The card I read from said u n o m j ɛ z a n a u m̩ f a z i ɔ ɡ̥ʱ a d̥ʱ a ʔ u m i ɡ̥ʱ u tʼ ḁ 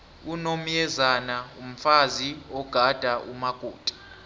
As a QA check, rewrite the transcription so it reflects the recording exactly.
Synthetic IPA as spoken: u n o m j ɛ z a n a u m̩ f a z i ɔ ɡ̥ʱ a d̥ʱ a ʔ u m a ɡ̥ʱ uː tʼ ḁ